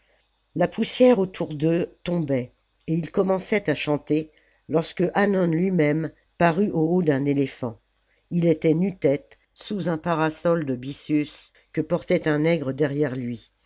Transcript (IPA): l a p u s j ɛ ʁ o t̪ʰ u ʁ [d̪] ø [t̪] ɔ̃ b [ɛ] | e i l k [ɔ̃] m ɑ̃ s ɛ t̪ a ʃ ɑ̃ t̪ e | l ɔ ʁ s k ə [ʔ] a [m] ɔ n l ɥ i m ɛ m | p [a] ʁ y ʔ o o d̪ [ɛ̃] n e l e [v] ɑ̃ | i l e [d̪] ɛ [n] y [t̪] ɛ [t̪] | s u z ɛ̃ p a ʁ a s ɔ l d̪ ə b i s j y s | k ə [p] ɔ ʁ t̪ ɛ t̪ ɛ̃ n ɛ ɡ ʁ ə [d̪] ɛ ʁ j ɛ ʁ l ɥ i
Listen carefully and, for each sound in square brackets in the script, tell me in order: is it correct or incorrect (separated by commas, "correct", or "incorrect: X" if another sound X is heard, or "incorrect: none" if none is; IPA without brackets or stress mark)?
correct, correct, correct, incorrect: ɔ, correct, incorrect: n, correct, correct, incorrect: f, incorrect: t̪, correct, correct, correct, correct, correct